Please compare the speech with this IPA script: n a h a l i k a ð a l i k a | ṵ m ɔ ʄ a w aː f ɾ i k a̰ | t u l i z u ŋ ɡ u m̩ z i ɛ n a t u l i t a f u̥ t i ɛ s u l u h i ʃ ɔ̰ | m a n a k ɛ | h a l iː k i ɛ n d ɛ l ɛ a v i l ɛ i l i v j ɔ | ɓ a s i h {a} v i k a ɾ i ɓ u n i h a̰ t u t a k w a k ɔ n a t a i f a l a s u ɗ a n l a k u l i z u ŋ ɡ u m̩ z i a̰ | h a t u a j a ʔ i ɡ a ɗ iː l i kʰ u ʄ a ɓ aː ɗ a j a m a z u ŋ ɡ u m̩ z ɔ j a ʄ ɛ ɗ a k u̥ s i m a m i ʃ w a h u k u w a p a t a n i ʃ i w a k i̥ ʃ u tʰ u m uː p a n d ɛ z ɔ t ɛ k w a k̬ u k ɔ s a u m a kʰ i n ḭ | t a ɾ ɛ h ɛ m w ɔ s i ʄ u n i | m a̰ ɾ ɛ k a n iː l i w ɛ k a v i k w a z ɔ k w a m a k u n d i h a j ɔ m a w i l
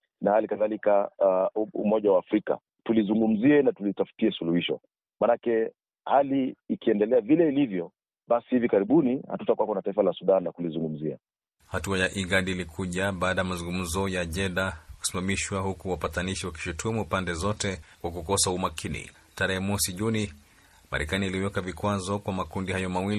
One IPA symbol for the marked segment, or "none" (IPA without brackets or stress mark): i